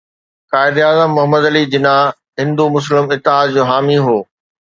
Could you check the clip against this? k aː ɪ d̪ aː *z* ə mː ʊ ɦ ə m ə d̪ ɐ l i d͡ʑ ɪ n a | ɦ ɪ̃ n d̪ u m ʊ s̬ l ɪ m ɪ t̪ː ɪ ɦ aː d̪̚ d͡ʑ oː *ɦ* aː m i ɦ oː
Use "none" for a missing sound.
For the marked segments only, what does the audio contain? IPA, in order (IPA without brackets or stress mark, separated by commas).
z, ɦ